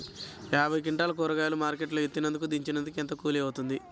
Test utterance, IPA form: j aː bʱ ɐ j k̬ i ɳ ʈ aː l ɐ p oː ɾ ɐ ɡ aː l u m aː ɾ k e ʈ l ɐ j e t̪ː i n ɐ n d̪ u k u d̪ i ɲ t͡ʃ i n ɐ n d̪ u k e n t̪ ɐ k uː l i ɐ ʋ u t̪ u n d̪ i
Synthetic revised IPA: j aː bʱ ɐ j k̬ i ɳ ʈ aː l ɐ k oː ɾ ɐ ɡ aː l u m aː ɾ k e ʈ l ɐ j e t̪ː i n ɐ n d̪ u k u d̪ i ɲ t͡ʃ i n ɐ n d̪ u k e n t̪ ɐ k uː l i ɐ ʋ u t̪ u n d̪ i